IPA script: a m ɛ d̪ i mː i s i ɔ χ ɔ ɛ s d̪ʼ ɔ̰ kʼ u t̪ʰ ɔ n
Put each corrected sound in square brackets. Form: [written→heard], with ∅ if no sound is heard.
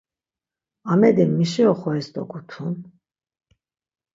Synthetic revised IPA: a m ɛ d̪ i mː i [s→ʃ] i ɔ χ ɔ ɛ s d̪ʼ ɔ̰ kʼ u t̪ʰ [ɔ→u] n

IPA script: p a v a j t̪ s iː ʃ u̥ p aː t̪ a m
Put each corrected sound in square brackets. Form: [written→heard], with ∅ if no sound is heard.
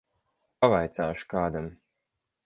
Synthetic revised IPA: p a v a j t̪ s [iː→aː] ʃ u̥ [p→k] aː [t̪→d̪] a m

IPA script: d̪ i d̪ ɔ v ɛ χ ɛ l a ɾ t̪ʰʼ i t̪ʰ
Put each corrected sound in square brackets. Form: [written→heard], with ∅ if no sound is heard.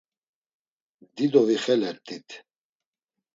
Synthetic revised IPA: d̪ i d̪ ɔ v [ɛ→i] χ ɛ l [a→ɛ] ɾ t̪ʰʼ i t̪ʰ

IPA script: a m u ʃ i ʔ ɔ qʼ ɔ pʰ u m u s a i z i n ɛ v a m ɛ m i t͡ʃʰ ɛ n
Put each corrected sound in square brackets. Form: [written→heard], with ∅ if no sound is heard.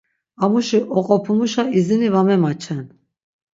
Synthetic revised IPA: a m u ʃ i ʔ ɔ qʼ ɔ pʰ u m u [s→ʃ] a i z i n [ɛ→i] v a m ɛ m [i→a] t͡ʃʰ ɛ n

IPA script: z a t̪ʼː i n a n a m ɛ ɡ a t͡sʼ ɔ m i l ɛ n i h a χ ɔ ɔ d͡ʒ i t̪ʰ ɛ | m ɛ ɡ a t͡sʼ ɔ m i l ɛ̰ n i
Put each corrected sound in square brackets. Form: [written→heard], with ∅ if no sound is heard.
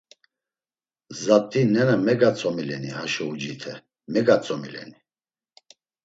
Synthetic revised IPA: z a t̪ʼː i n [a→ɛ] n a m ɛ ɡ a t͡sʼ ɔ m i l ɛ n i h a [χ→ʃ] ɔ [ɔ→u] d͡ʒ i t̪ʰ ɛ | m ɛ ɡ a t͡sʼ ɔ m i l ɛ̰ n i

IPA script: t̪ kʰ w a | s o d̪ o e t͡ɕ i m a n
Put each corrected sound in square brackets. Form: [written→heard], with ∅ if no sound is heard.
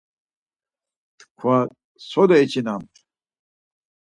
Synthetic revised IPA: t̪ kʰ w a | s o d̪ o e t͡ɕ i [m→n] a [n→m]

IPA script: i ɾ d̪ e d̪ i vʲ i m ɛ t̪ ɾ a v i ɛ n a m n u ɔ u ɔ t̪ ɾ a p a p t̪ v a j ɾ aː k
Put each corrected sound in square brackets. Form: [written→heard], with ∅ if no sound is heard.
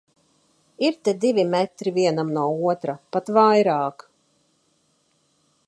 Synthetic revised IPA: i ɾ [d̪→t̪] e d̪ i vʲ i m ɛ t̪ ɾ [a→i] v i ɛ n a m n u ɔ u ɔ t̪ ɾ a p a [p→∅] t̪ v a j ɾ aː k

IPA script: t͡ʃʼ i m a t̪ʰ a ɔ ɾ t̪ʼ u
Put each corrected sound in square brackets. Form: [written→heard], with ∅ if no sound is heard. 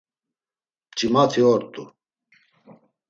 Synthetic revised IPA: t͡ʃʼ i m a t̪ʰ [a→i] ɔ ɾ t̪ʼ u

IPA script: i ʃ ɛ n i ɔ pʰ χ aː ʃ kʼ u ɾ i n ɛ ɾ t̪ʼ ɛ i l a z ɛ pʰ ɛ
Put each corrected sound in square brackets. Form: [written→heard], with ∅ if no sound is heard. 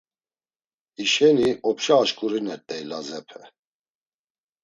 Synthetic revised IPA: i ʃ ɛ n i ɔ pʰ [χ→ʃ] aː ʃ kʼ u ɾ i n ɛ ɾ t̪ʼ ɛ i l a z ɛ pʰ ɛ

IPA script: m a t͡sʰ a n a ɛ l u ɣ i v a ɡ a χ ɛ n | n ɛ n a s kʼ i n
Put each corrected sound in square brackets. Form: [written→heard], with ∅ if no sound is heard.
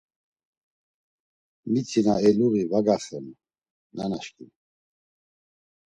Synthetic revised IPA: m [a→i] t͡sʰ [a→i] n a ɛ l u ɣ i v a ɡ a χ ɛ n | n [ɛ→a] n a [s→ʃ] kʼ i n

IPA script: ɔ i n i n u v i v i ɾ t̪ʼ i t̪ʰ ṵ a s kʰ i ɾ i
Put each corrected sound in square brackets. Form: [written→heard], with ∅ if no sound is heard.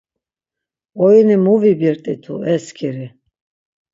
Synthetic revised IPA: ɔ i n i [n→m] u v i [v→b] i ɾ t̪ʼ i t̪ʰ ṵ [a→ɛ] s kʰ i ɾ i

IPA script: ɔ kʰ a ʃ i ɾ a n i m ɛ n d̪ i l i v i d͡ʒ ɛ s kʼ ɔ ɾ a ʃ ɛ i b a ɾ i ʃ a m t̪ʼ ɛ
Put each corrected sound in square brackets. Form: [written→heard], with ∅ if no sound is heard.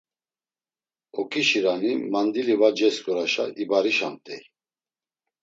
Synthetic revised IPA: ɔ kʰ [a→i] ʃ i ɾ a n i m [ɛ→a] n d̪ i l i v [i→a] d͡ʒ ɛ s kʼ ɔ ɾ a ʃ [ɛ→a] i b a ɾ i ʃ a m t̪ʼ ɛ

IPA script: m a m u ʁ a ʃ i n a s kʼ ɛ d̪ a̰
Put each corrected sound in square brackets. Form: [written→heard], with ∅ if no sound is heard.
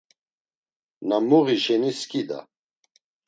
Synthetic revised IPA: [m→n] a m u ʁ [a→i] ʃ [i→ɛ] n [a→i] s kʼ [ɛ→i] d̪ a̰

